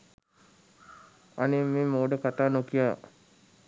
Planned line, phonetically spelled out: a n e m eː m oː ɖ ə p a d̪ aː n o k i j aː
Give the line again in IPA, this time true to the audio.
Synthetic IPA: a n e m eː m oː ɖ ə k a t̪ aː n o k i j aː